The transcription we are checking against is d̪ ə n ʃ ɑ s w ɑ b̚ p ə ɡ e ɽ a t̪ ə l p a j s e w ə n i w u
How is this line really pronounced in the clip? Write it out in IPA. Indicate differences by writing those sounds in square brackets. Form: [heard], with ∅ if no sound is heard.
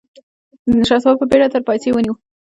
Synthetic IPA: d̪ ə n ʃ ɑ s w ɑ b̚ p ə [b] e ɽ a t̪ ə [ɾ] p [ɑ] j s e w ə n i w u